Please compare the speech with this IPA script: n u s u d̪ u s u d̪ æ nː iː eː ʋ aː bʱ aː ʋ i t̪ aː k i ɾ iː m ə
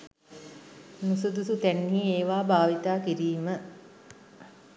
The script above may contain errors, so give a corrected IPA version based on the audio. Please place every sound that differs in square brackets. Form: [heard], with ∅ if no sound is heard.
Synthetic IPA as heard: n u s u d̪ u s u [t̪] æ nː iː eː ʋ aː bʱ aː ʋ i t̪ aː k i ɾ iː m ə

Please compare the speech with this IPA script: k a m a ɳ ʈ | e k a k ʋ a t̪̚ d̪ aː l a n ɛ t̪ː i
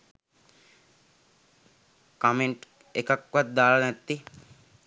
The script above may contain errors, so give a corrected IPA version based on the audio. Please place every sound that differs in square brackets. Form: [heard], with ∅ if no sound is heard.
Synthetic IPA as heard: k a m [e] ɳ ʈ | e k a k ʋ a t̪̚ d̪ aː l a n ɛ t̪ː i

